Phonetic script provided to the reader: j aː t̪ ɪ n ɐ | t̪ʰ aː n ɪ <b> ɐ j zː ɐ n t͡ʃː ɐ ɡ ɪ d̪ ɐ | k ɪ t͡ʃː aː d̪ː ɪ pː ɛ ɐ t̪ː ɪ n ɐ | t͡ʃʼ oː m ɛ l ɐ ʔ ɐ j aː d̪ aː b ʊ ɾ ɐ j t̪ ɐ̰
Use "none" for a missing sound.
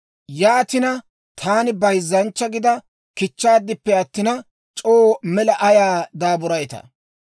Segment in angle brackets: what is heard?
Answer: b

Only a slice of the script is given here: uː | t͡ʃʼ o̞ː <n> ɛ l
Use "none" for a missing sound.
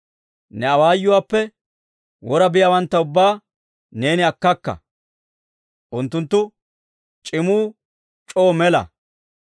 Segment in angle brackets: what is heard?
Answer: m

